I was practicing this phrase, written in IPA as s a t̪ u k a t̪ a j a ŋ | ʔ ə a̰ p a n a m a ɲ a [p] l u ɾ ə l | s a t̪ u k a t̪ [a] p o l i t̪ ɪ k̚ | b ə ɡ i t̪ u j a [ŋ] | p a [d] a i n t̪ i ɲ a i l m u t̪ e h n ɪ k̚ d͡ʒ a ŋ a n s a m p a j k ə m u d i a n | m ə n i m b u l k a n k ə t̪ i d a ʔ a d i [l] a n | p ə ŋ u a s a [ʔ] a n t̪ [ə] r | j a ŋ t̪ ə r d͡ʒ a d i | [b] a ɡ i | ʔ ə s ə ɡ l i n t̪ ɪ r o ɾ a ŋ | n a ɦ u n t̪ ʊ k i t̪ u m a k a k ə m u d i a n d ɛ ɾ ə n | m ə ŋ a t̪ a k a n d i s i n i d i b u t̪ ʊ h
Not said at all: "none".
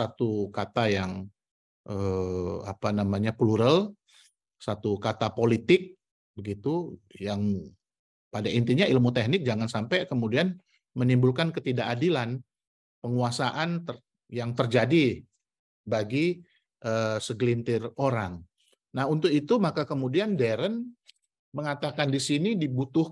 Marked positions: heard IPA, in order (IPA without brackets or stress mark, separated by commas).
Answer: p, a, ŋ, d, l, ʔ, ə, b